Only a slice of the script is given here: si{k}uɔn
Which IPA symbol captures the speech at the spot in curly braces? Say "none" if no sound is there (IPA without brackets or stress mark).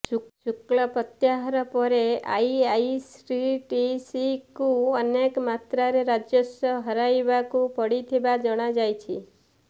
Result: k